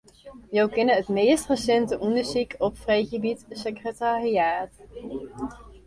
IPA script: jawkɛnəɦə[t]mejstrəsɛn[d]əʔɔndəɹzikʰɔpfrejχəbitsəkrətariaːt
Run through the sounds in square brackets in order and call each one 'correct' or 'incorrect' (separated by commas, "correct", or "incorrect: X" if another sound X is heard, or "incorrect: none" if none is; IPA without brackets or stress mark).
correct, incorrect: t